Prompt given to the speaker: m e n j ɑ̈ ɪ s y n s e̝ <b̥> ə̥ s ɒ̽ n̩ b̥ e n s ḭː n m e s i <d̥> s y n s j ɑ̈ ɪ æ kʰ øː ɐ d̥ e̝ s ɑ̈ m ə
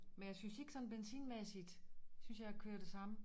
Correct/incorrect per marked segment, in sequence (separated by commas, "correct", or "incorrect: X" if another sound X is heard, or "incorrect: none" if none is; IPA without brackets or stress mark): incorrect: ɡ̥, correct